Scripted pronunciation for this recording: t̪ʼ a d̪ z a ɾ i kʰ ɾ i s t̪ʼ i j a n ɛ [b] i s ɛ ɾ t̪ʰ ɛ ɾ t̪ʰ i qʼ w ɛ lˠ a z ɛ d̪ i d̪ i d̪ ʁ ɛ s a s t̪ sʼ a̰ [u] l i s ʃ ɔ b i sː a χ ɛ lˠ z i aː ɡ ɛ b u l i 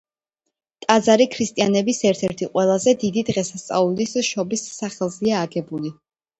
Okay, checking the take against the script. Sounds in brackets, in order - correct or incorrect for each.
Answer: correct, correct

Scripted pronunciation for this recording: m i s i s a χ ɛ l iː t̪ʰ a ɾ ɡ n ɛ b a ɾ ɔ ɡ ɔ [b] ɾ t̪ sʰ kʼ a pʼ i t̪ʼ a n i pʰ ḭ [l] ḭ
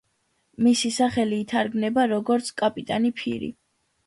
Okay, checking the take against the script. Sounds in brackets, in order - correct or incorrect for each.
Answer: incorrect: none, incorrect: ɾ

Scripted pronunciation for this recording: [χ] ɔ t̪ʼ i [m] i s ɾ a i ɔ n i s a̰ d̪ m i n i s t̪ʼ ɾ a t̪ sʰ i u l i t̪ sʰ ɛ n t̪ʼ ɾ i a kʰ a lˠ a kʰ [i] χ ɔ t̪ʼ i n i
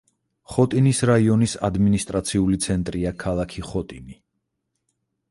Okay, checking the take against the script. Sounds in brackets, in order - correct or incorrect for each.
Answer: correct, incorrect: n, correct

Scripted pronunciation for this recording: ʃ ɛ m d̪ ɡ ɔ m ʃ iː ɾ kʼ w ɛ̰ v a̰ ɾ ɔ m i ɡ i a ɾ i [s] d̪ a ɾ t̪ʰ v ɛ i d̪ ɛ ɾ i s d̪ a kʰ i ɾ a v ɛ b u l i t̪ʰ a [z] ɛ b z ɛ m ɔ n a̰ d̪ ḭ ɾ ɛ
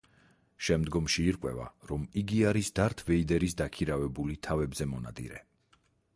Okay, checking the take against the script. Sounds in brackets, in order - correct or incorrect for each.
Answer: correct, incorrect: v

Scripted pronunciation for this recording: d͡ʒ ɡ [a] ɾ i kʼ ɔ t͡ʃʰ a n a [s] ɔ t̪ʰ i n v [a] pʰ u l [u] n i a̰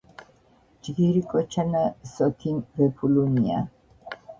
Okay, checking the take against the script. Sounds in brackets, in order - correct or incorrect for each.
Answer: incorrect: i, correct, incorrect: ɛ, correct

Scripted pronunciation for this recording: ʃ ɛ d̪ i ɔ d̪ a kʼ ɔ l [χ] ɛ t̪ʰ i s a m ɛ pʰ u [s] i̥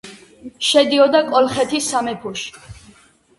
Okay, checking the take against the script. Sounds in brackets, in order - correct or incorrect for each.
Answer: correct, incorrect: ʃ

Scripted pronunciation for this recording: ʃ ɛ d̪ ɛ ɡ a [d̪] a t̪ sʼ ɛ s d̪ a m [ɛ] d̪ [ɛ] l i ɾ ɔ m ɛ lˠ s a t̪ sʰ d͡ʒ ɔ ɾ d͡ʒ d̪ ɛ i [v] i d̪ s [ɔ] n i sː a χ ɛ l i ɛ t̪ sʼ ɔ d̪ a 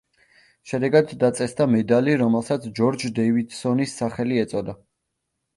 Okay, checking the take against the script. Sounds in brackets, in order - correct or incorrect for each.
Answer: incorrect: d̪ː, correct, incorrect: a, correct, correct

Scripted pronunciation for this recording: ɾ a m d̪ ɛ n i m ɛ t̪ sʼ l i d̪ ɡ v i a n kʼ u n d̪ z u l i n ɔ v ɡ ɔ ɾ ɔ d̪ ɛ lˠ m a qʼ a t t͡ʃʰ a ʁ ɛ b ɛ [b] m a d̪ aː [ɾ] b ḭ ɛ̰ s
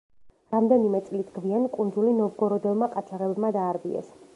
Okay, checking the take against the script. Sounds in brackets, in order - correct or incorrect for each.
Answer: correct, correct

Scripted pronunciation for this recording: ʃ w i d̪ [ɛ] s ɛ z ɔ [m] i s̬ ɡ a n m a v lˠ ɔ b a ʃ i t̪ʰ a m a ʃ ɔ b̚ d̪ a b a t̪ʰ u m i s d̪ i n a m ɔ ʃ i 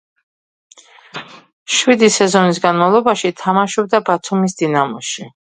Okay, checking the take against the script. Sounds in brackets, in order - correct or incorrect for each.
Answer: incorrect: i, incorrect: n

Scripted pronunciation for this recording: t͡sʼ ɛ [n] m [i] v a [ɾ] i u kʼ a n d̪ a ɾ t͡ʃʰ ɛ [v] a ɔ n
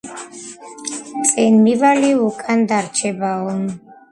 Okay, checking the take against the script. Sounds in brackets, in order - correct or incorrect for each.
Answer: correct, correct, incorrect: l, incorrect: b

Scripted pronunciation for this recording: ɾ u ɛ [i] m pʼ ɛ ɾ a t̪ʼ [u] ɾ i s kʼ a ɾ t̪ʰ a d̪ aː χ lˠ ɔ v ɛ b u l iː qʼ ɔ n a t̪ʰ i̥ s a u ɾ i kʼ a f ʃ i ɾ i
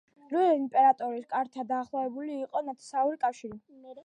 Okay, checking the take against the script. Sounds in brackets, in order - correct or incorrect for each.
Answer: correct, incorrect: ɔ

